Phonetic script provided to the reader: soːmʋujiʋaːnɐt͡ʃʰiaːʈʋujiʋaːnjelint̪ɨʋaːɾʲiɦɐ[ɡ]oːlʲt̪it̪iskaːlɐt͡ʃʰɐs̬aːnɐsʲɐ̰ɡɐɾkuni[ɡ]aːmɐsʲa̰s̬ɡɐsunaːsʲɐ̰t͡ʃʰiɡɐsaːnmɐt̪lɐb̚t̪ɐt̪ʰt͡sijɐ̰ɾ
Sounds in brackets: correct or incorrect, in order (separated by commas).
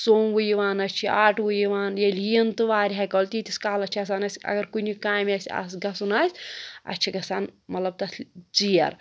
incorrect, incorrect